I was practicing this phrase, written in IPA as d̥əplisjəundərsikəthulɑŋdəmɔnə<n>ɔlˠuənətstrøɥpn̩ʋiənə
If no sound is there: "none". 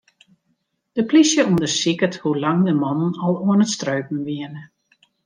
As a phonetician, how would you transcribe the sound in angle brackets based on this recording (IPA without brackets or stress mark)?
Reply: n